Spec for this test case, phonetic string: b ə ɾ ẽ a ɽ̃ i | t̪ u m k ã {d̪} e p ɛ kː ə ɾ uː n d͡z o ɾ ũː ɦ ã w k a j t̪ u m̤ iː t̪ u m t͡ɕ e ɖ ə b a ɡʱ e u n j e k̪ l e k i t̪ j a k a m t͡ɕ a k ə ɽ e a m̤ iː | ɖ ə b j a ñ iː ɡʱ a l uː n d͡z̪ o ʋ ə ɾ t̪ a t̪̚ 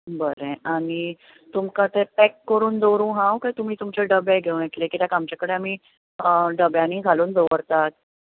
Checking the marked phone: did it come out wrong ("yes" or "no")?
yes